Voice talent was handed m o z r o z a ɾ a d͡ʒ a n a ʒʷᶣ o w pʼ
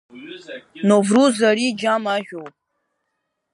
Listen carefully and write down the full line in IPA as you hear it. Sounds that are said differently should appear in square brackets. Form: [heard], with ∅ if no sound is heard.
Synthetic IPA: [n] o [v] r [u] z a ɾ [i] d͡ʒ a [m] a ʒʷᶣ o w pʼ